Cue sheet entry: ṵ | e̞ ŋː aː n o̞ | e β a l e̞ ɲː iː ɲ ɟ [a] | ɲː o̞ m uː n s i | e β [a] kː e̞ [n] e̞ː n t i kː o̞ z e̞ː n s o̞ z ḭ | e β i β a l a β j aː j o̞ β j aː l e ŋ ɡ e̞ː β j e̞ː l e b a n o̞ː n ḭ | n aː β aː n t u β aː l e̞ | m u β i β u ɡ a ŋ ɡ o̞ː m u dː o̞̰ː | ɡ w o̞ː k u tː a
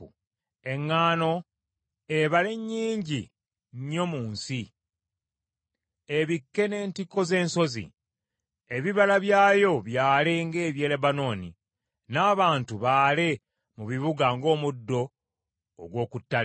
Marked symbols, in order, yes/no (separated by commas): no, no, yes